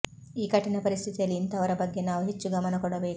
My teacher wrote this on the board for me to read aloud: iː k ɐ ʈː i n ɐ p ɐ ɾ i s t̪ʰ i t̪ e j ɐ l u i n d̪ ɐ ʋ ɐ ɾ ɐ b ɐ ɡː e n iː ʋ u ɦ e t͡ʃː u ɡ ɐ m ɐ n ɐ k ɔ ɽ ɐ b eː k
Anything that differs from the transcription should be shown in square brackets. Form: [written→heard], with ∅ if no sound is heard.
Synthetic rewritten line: iː k ɐ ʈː i n ɐ p ɐ ɾ i s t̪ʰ i t̪ [e→i] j ɐ l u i n [d̪→t̪] ɐ ʋ ɐ ɾ ɐ b ɐ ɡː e n [iː→aː] ʋ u ɦ e t͡ʃː u ɡ ɐ m ɐ n ɐ k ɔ ɽ ɐ b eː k